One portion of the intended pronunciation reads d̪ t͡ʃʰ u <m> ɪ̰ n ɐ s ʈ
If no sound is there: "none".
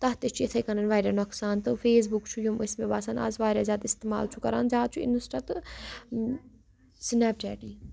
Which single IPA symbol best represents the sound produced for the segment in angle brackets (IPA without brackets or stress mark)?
none